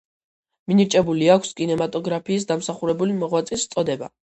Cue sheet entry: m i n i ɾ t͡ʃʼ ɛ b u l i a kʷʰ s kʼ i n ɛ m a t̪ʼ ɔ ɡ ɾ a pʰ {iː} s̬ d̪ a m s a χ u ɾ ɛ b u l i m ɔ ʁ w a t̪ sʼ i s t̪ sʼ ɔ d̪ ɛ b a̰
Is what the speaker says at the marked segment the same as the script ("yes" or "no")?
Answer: yes